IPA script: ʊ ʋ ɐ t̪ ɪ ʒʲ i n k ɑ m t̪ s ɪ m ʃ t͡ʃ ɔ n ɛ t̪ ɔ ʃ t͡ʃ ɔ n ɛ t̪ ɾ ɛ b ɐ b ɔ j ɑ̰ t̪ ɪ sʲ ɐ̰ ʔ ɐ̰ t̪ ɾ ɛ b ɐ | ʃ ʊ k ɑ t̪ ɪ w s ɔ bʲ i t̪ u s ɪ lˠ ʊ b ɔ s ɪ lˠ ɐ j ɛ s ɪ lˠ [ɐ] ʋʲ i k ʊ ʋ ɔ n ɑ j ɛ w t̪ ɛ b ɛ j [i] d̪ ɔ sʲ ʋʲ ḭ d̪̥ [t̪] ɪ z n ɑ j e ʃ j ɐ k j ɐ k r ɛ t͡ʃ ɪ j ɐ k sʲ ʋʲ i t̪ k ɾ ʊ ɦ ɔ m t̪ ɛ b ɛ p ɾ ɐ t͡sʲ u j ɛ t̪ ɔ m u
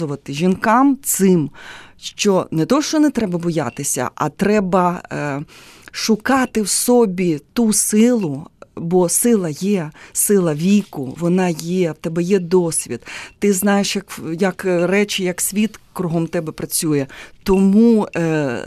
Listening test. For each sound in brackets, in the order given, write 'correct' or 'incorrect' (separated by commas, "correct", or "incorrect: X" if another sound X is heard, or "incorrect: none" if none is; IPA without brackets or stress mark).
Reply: correct, incorrect: ɛ, correct